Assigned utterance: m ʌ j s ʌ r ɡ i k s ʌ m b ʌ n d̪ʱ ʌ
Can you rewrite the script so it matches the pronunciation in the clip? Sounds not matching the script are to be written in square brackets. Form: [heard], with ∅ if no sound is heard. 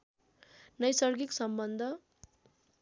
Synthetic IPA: [n] ʌ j s ʌ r ɡ i k s ʌ m b ʌ n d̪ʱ ʌ